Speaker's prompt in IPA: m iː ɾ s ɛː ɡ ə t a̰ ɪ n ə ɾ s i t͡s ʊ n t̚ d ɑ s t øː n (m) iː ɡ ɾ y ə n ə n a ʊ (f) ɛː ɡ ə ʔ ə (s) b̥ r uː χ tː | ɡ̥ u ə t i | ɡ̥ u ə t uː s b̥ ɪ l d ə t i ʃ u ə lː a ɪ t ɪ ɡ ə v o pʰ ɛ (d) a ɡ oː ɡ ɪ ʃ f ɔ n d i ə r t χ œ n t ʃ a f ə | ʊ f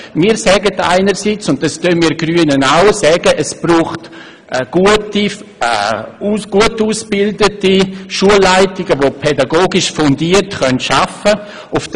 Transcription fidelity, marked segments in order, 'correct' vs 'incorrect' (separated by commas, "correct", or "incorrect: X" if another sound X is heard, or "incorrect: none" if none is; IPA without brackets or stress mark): correct, incorrect: s, correct, correct